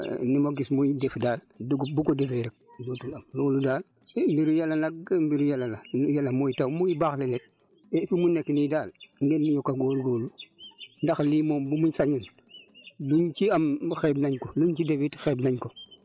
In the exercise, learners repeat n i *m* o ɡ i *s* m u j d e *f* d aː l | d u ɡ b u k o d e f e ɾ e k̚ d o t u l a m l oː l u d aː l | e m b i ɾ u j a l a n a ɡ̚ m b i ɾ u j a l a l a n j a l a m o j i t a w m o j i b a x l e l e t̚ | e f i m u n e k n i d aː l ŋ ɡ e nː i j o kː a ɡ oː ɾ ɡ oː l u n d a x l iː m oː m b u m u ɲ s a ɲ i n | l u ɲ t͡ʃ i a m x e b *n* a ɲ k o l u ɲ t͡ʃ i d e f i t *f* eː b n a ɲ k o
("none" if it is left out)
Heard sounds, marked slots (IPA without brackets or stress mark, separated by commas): m, s, f, n, x